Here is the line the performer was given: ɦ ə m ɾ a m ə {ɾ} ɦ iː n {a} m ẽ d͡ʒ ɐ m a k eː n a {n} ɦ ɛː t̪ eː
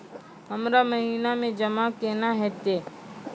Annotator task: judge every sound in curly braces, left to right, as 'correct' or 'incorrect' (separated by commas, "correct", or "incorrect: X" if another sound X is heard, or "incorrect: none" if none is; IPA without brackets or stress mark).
incorrect: none, correct, incorrect: none